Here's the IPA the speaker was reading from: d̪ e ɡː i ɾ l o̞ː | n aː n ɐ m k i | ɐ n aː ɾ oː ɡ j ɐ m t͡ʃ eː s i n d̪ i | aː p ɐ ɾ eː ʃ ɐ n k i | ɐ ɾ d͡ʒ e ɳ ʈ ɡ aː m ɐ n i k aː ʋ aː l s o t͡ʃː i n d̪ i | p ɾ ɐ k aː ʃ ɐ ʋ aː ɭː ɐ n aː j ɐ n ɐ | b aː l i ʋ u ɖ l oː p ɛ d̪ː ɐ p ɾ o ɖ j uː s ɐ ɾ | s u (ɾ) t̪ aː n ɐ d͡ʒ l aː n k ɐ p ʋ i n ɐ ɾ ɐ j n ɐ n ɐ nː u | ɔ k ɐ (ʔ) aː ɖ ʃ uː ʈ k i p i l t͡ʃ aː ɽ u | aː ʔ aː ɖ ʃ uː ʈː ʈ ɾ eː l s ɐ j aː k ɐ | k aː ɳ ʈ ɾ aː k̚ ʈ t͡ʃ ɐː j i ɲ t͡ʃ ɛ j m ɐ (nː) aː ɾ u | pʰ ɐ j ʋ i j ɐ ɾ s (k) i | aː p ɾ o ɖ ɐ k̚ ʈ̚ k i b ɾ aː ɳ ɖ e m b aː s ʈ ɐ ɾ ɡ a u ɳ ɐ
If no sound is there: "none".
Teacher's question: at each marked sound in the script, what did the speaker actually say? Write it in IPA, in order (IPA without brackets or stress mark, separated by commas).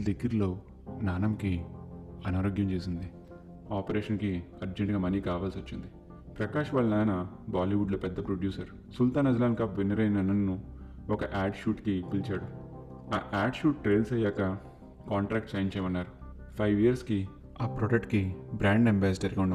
l, ʔ, nː, k